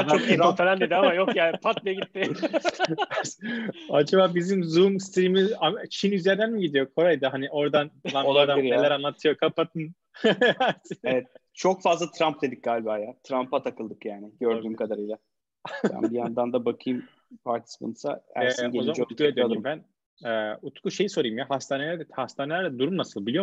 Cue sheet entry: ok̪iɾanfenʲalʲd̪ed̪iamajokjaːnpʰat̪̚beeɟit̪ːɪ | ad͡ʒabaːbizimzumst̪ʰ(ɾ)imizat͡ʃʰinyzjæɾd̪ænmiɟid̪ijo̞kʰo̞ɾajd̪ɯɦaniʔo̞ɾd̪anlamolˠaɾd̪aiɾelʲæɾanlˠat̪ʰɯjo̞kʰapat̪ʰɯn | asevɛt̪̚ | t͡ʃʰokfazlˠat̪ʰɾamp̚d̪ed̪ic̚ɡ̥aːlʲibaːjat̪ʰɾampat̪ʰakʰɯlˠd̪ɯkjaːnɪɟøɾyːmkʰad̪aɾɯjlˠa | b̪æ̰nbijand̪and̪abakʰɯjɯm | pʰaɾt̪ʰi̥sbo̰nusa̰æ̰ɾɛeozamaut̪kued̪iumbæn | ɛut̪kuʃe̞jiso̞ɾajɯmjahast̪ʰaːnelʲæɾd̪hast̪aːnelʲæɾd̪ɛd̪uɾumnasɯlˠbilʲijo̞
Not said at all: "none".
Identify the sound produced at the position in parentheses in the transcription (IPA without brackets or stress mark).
ɾ